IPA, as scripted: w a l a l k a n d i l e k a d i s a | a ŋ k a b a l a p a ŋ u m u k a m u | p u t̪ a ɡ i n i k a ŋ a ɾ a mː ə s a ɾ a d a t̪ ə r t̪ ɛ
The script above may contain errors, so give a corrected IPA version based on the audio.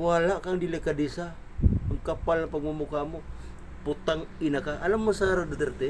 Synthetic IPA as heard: w a l a k a ŋ d i l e k a d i s a | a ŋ k a p a l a p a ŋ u m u k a m u | p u t̪ a ŋ i n a k a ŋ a l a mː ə s a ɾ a d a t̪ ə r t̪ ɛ

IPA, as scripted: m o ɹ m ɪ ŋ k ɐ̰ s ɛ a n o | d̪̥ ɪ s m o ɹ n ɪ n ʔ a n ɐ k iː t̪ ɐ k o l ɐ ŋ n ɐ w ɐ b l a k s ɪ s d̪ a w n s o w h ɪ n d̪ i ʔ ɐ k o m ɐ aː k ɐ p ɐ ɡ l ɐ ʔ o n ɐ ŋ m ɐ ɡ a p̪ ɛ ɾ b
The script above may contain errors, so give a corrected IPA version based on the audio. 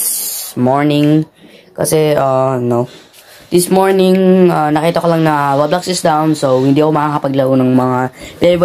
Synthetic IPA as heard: m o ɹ n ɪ ŋ k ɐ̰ s ɛ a n o | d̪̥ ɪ s m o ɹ n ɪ ŋ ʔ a n ɐ k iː t̪ ɐ k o l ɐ ŋ n ɐ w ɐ b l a k s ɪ s d̪ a w n s o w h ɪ n d̪ i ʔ ɐ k o m ɐ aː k ɐ p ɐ ɡ l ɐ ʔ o n ɐ ŋ m ɐ ŋ a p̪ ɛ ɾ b

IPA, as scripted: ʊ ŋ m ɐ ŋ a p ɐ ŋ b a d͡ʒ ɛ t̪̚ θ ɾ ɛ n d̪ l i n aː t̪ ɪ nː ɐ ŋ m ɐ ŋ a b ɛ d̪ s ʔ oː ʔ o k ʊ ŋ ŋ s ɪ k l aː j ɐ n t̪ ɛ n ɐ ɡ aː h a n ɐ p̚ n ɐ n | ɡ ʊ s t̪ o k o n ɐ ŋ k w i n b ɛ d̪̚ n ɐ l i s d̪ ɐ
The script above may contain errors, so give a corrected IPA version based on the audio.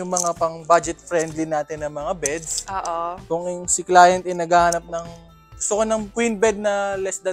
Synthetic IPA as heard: ʊ ŋ m ɐ ŋ a p ɐ ŋ b a d͡ʒ ɛ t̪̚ f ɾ ɛ n d̪ l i n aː t̪ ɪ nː ɐ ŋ m ɐ ŋ a b ɛ d̪ s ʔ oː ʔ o k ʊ ŋ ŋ s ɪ k l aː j ɐ n t̪ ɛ n ɐ ɡ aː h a n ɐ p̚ n ɐ ŋ | ɡ ʊ s t̪ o k o n ɐ ŋ k w i n b ɛ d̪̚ n ɐ l ɛ s d̪ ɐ

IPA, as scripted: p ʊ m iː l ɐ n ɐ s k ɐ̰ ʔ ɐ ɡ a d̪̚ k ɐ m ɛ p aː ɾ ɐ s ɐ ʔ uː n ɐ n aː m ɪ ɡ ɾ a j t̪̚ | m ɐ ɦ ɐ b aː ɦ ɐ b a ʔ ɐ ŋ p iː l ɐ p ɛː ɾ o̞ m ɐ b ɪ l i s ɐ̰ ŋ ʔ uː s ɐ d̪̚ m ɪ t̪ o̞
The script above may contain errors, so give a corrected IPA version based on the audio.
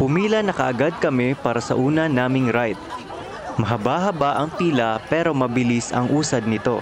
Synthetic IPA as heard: p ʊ m iː l ɐ n ɐ k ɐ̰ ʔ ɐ ɡ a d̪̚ k ɐ m ɛ p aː ɾ ɐ s ɐ ʔ uː n ɐ n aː m ɪ ŋ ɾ a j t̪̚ | m ɐ ɦ ɐ b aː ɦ ɐ b a ʔ ɐ ŋ p iː l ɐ p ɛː ɾ o̞ m ɐ b ɪ l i s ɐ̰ ŋ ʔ uː s ɐ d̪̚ n ɪ t̪ o̞

